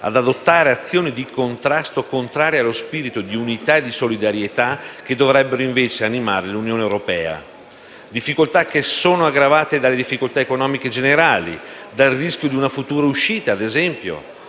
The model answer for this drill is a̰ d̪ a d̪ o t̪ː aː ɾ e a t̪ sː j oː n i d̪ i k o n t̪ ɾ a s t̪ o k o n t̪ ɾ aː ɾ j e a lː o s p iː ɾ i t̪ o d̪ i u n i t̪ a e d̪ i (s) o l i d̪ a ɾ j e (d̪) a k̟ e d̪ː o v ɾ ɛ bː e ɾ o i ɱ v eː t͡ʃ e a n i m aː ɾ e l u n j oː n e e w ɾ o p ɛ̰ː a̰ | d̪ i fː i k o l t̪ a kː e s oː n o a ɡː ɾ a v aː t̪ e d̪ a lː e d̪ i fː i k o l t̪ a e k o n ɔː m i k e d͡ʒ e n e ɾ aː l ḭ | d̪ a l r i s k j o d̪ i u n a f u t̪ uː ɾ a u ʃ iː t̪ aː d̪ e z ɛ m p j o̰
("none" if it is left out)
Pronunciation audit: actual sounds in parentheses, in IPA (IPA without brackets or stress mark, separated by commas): s, t̪